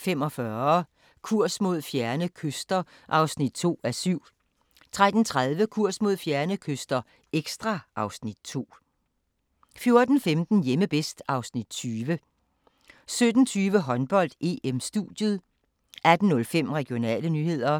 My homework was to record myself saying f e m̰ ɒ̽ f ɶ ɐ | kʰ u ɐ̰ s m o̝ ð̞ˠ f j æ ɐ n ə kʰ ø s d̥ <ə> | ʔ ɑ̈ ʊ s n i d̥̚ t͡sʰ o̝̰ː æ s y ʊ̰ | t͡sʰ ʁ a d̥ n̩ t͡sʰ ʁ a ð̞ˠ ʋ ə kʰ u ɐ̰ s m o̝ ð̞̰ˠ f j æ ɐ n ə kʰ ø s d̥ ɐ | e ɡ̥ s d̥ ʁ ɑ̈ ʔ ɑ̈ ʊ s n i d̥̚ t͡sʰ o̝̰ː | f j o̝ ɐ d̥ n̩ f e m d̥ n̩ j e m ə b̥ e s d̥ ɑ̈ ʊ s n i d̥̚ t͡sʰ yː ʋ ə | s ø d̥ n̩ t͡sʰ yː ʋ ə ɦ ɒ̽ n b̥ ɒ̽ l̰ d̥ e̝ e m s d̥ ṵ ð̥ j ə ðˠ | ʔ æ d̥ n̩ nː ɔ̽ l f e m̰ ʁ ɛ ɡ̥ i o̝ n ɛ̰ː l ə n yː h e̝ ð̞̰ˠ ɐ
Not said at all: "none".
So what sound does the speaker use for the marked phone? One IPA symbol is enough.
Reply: ɐ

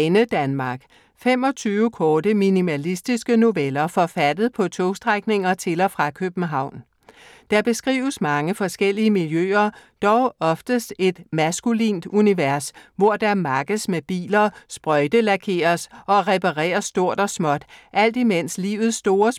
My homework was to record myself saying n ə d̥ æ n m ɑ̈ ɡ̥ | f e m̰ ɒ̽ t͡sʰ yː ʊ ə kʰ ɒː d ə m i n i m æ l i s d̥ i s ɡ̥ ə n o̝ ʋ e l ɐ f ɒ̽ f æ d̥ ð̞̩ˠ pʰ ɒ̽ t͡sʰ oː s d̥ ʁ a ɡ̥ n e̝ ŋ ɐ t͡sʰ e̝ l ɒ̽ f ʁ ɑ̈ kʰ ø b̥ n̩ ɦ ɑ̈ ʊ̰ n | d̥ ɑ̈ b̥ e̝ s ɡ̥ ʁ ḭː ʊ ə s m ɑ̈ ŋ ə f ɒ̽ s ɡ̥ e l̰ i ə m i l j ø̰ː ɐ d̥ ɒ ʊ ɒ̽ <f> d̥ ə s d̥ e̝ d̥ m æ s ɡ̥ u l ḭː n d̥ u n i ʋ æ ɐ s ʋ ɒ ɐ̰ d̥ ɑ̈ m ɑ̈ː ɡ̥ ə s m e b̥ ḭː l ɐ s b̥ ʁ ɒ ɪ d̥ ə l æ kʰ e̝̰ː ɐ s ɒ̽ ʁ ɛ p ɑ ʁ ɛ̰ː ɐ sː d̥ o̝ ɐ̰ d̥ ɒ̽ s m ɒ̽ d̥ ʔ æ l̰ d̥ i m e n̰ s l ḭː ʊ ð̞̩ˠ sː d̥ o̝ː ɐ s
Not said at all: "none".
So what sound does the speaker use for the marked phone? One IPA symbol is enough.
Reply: f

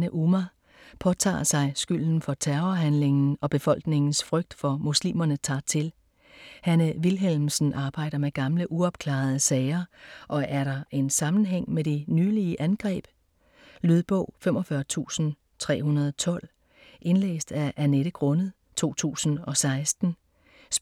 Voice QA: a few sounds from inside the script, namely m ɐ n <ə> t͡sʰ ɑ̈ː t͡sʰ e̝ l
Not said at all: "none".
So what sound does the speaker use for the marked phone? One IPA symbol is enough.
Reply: ə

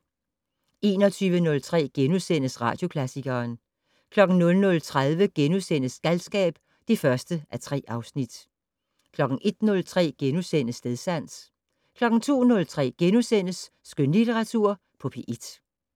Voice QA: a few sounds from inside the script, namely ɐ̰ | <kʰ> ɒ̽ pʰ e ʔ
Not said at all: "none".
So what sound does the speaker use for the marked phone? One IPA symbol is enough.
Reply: pʰ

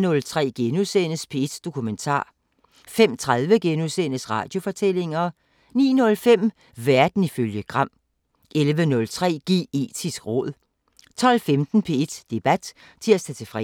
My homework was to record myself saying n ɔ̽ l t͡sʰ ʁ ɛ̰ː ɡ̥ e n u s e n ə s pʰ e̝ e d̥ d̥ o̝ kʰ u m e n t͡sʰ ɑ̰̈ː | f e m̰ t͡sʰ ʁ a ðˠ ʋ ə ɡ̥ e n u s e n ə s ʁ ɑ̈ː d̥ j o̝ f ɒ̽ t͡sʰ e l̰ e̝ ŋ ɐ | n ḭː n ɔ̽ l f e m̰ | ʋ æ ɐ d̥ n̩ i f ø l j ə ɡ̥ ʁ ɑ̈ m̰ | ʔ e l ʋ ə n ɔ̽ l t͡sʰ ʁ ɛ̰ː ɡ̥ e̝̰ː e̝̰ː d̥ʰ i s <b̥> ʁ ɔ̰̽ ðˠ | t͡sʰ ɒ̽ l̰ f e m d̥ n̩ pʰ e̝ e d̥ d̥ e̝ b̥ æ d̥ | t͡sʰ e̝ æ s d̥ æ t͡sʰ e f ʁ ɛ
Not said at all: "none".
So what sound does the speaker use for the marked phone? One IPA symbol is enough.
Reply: ɡ̥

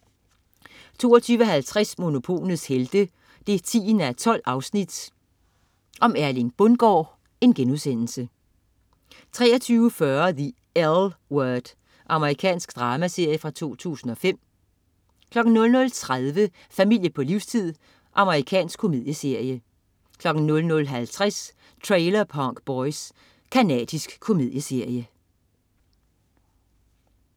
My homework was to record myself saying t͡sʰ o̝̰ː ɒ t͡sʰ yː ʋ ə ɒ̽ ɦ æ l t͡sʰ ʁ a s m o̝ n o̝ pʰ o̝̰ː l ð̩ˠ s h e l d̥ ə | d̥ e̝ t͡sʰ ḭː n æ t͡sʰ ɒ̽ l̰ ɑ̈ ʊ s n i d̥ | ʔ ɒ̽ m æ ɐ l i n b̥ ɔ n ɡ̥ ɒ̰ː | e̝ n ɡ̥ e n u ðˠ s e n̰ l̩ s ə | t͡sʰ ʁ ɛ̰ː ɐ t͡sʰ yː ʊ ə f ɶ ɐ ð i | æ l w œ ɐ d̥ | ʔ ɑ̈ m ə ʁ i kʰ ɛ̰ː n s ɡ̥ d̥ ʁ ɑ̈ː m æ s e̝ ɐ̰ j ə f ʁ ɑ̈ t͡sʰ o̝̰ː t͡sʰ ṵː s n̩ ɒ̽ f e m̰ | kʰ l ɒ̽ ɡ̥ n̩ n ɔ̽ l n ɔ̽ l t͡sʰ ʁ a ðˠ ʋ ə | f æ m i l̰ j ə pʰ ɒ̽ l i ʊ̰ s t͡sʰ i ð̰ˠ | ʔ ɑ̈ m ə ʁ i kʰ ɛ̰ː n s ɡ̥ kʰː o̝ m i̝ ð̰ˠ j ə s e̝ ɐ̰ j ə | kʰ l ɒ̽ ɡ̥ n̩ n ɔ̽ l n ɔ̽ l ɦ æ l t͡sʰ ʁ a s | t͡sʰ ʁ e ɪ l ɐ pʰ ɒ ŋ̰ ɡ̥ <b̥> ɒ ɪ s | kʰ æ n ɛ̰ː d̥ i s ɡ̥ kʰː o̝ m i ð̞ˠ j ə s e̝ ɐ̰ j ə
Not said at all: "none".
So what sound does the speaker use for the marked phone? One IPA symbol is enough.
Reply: b̥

